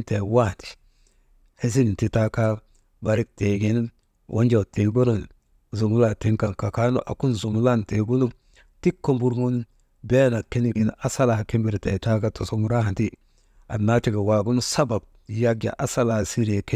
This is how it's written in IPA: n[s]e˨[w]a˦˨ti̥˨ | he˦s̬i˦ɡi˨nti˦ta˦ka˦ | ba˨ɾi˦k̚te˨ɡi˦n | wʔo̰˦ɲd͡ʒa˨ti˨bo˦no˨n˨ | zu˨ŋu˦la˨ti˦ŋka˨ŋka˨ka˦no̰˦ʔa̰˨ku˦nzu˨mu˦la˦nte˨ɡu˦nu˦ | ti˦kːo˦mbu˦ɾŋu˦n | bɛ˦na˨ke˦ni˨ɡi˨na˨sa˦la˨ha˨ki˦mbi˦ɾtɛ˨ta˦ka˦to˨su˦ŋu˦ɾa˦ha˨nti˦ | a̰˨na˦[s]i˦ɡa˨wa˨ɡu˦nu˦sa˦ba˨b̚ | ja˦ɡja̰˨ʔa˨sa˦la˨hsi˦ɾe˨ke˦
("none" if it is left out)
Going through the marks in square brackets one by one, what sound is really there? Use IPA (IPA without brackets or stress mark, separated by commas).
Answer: t, w, t